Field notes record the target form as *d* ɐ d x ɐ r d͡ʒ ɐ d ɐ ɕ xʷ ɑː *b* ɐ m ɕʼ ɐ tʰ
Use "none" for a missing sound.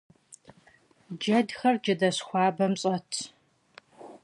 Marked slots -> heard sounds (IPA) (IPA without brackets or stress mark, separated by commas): d͡ʒ, b